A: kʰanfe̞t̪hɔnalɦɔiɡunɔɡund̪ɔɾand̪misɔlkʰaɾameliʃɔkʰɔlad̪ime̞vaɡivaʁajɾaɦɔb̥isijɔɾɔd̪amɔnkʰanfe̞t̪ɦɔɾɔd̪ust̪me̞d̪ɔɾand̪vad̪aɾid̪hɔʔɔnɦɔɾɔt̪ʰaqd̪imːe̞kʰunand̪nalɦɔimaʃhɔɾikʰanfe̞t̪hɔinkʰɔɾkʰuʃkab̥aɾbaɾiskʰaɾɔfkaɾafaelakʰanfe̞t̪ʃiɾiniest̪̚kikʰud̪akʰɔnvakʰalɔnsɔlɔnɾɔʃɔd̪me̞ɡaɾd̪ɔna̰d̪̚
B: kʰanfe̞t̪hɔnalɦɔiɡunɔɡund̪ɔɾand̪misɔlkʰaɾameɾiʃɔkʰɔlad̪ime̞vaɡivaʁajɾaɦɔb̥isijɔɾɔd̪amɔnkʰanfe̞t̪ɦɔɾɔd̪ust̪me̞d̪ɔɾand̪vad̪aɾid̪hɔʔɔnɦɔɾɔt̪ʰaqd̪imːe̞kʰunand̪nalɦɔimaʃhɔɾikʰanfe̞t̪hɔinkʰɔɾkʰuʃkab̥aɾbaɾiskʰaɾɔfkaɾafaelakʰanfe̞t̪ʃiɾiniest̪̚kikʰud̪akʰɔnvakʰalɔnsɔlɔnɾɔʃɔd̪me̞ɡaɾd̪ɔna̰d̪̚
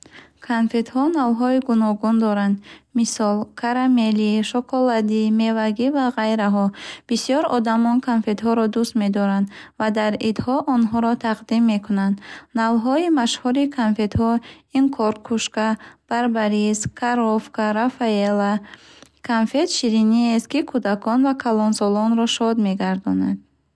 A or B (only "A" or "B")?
A